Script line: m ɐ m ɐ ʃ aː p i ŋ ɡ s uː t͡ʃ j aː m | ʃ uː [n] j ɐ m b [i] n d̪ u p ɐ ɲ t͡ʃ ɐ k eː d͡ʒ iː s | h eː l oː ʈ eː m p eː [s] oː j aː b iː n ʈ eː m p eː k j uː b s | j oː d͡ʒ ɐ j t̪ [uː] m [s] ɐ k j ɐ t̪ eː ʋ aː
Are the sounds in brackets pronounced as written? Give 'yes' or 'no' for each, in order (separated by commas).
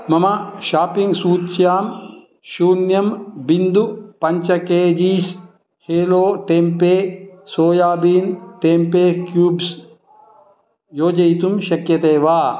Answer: yes, yes, yes, no, no